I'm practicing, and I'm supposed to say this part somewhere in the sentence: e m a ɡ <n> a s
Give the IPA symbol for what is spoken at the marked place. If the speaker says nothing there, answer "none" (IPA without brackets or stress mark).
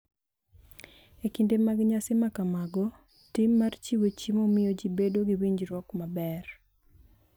ɲ